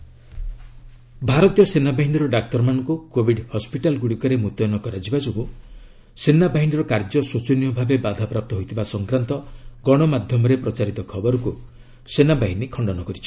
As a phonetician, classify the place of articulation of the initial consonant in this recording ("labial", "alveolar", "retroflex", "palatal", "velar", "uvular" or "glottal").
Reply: labial